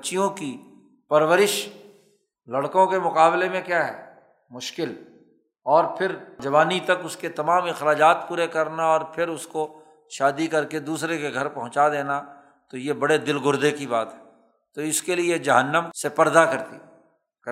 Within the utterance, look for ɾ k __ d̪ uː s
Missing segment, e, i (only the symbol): e